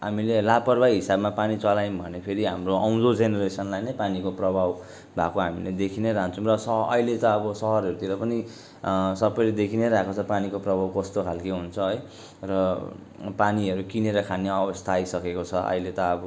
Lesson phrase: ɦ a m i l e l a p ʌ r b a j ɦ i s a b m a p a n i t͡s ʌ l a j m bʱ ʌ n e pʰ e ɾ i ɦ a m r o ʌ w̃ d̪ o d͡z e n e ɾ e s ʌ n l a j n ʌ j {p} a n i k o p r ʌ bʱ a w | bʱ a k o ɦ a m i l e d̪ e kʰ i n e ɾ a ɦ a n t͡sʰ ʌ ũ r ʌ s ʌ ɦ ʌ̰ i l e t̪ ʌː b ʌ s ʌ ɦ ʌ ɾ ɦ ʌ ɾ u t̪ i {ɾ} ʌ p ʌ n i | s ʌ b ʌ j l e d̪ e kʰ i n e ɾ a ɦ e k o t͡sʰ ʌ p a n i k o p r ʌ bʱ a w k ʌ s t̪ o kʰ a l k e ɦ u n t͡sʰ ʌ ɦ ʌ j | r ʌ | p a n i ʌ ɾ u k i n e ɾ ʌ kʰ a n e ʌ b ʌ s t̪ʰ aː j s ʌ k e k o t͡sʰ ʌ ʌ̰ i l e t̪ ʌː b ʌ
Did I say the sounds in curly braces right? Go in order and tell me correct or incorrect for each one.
correct, correct

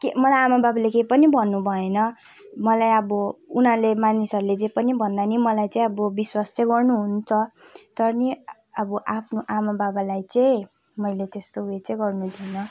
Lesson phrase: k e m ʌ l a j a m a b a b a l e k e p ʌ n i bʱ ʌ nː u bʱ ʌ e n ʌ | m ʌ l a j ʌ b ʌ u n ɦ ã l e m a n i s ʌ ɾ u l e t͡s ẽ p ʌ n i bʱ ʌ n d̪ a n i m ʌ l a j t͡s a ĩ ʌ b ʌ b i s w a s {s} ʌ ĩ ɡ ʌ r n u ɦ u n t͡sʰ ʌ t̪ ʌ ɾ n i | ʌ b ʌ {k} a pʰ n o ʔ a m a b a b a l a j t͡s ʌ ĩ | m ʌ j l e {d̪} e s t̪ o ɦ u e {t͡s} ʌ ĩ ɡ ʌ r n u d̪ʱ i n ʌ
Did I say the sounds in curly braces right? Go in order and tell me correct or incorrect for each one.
incorrect, incorrect, incorrect, correct

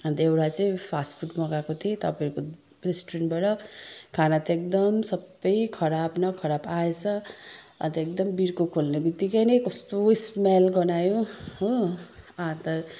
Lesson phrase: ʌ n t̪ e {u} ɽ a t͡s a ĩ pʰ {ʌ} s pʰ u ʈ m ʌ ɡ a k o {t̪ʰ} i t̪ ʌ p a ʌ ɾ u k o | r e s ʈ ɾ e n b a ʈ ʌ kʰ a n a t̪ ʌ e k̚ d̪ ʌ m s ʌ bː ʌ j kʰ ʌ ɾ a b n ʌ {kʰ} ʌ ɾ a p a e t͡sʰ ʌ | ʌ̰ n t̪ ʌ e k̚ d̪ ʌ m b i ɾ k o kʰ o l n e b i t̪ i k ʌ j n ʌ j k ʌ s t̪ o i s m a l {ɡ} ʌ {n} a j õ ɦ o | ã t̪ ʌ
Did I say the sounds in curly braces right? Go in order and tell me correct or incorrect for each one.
incorrect, incorrect, correct, correct, correct, correct

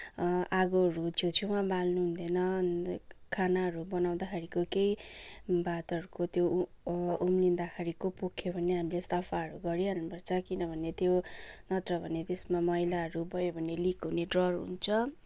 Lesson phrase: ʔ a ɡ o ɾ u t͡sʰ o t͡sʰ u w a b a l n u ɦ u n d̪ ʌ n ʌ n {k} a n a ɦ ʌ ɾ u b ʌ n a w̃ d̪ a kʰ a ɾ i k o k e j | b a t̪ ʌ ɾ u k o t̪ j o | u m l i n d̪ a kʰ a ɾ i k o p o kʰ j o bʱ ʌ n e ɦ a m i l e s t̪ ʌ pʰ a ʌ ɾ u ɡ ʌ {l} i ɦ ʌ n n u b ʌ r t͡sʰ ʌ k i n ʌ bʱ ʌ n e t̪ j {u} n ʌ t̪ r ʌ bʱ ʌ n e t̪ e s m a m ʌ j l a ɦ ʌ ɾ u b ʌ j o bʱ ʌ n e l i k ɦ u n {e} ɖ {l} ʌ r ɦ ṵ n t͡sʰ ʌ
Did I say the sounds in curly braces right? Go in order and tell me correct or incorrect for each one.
incorrect, incorrect, incorrect, correct, incorrect

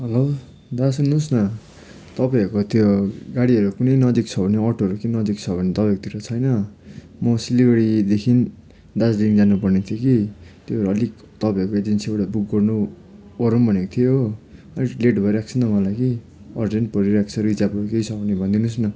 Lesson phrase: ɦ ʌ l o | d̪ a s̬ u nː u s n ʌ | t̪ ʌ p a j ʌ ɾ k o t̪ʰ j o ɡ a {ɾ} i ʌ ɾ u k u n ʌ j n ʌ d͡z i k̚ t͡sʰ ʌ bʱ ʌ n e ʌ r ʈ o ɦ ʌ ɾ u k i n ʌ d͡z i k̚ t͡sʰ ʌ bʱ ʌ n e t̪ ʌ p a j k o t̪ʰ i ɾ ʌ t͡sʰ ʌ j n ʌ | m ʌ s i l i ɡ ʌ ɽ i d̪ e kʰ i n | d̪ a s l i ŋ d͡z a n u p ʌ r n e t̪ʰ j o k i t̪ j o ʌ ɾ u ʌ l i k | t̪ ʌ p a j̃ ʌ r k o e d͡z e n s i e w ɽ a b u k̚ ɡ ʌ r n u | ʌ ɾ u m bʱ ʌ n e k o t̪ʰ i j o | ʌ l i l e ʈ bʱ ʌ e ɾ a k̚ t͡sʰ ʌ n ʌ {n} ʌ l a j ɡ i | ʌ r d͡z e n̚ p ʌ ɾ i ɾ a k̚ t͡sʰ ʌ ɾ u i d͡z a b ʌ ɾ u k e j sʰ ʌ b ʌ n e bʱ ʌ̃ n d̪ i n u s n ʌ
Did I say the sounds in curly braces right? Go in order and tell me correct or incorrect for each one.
incorrect, incorrect

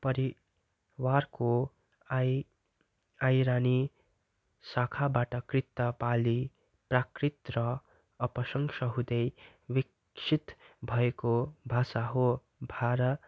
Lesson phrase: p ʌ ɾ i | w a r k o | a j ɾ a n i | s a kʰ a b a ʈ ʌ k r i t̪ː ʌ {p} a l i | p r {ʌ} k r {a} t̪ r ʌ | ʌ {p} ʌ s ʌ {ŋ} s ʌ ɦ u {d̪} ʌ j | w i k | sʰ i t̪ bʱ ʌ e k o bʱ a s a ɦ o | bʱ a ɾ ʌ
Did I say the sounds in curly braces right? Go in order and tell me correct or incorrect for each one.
correct, incorrect, incorrect, correct, correct, correct

